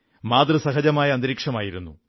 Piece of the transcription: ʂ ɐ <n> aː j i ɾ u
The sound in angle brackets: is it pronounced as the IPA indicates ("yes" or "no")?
no